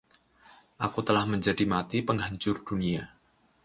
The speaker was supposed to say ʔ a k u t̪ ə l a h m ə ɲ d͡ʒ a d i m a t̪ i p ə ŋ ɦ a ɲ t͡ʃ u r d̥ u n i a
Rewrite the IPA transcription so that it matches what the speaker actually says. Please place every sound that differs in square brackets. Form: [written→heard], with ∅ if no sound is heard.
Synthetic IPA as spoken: ʔ a k u t̪ ə l a h m ə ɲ d͡ʒ a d i m a t̪ i p ə ŋ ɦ a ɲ t͡ʃ [u→ʊ] r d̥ u n i a